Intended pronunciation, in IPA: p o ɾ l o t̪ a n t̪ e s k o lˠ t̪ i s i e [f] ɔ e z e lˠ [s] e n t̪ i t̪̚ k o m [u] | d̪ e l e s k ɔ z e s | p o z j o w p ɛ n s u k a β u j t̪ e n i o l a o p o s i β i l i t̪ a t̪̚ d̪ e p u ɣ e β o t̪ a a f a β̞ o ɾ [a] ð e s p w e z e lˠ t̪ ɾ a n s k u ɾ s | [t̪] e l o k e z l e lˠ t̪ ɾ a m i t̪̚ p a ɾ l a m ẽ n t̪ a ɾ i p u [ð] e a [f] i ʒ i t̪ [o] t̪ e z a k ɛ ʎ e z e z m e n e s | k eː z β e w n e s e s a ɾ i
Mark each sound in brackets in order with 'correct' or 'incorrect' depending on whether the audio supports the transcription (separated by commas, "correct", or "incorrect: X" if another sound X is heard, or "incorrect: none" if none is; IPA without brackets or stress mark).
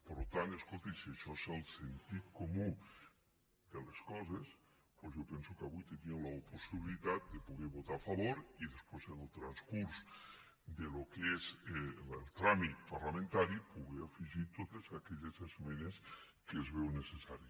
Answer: incorrect: ʃ, correct, correct, incorrect: i, incorrect: d̪, incorrect: ɣ, correct, correct